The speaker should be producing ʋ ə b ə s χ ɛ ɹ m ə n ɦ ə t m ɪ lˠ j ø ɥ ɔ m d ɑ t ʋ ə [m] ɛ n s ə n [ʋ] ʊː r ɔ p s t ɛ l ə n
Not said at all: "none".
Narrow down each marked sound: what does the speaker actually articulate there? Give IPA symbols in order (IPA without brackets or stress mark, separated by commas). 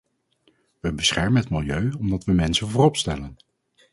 m, v